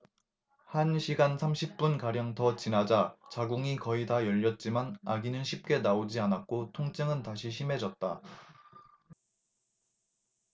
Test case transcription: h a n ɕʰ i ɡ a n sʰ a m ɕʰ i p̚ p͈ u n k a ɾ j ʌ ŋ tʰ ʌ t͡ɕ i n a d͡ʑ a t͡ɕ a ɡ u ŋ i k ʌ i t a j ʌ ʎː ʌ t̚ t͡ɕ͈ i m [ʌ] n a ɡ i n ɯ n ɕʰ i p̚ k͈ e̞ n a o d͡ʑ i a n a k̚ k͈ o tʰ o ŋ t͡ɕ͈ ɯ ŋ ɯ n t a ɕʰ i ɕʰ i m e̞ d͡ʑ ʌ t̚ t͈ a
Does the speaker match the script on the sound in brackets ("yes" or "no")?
no